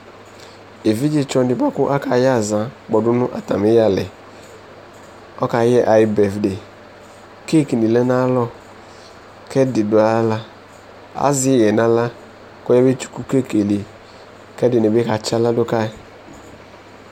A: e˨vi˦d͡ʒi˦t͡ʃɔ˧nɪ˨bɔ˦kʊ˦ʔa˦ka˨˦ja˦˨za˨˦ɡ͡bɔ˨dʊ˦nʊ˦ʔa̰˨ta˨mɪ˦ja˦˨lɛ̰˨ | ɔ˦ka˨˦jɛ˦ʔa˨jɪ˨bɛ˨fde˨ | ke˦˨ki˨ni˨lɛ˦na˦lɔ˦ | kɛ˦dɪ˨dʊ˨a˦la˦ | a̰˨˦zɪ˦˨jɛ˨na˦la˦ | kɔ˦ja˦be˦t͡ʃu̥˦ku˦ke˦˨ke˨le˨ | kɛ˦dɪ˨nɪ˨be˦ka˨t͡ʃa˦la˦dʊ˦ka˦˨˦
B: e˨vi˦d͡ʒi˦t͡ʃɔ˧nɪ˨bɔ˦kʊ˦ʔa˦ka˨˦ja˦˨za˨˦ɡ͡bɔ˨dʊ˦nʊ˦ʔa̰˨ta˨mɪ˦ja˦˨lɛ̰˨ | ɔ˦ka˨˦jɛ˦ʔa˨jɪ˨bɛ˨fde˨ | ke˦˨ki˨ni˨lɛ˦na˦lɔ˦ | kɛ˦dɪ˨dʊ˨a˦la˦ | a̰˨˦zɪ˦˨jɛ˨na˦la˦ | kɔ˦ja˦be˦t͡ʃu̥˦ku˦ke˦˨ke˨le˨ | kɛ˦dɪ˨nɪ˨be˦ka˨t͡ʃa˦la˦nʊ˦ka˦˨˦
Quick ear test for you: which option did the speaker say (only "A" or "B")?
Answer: A